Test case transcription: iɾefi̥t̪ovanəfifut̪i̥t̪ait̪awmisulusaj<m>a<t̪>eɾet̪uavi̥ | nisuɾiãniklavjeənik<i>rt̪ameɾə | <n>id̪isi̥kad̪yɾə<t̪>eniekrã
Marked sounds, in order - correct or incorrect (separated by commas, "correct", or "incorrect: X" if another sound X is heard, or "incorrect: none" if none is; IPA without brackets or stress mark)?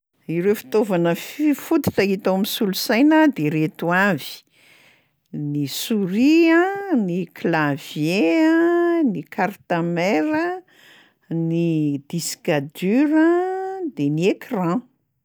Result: incorrect: n, incorrect: d̪, incorrect: a, correct, incorrect: d̪